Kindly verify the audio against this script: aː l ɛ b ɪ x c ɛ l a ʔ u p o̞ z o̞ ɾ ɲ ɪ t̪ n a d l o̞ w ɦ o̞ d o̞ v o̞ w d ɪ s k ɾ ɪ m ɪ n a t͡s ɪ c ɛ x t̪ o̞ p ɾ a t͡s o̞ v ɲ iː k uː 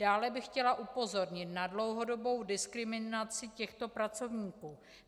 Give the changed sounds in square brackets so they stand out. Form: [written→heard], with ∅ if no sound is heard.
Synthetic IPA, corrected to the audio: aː l ɛ b ɪ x c ɛ l a ʔ u p o̞ z o̞ ɾ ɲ ɪ t̪ n a d l o̞ w ɦ o̞ d o̞ [v→b] o̞ w d ɪ s k ɾ ɪ m ɪ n a t͡s ɪ c ɛ x t̪ o̞ p ɾ a t͡s o̞ v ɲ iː k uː